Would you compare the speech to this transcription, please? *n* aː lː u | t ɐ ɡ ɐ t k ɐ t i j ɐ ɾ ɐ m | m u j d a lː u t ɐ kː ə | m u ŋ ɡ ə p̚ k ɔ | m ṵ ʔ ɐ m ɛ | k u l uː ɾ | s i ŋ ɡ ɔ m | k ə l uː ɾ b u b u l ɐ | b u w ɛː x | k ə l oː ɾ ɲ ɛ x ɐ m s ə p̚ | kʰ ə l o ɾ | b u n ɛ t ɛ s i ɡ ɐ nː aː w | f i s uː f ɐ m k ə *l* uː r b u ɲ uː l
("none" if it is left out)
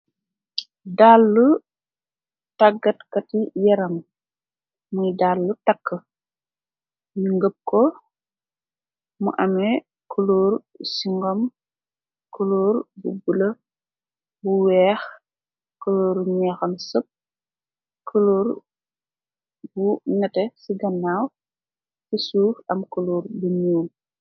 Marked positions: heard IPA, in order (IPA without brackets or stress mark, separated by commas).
d, l